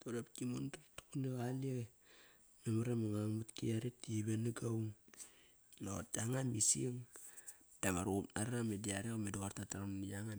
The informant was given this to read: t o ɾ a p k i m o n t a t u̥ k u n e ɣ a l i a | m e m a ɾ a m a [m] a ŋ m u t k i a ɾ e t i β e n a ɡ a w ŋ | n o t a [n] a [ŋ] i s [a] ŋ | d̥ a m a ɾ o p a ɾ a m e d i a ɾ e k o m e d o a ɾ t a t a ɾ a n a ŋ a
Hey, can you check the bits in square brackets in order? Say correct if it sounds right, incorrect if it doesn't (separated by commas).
incorrect, incorrect, incorrect, incorrect